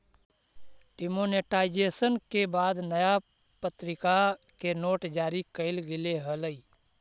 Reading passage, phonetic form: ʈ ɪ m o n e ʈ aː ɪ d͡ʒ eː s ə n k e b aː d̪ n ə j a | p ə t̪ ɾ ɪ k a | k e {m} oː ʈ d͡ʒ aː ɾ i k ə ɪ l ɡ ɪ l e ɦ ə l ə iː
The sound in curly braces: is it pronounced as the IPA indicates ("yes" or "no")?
no